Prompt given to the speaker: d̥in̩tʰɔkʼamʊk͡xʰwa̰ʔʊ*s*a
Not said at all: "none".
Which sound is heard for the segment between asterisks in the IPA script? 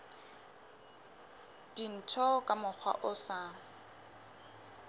s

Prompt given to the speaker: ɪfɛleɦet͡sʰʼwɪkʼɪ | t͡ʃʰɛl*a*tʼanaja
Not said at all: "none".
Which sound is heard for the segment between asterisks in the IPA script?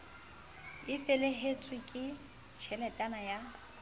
ɛ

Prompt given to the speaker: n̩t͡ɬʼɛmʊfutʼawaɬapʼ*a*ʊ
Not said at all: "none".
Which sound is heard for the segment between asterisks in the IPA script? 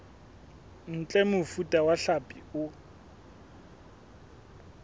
i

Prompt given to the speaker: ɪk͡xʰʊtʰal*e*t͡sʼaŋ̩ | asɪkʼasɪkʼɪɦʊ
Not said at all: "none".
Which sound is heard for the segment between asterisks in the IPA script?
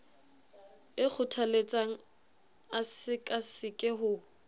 e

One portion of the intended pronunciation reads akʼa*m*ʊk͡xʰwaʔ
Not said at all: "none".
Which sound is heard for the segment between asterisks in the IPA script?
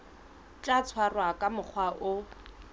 m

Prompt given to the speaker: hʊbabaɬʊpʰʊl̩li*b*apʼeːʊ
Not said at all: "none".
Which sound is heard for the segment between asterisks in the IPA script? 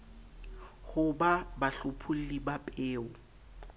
b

